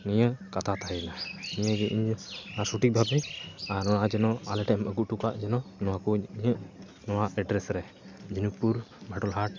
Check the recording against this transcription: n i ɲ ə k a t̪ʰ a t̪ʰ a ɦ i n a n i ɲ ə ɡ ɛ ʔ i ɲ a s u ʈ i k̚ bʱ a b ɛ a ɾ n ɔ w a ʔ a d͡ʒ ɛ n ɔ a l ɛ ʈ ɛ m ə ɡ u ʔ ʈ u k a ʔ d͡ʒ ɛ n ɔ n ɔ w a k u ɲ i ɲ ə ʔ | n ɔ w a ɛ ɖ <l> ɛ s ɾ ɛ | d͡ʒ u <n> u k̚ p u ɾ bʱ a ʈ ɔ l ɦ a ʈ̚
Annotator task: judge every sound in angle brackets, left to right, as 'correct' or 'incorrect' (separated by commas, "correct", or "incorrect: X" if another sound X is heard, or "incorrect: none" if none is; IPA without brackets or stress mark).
incorrect: ɾ, correct